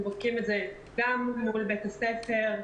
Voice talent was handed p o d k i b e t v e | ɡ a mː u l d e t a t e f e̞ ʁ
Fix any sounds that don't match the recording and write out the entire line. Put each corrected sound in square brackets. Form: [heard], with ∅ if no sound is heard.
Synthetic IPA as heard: [b] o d k i [m] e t [z] e | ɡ a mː u l [b] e t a [s] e f e̞ ʁ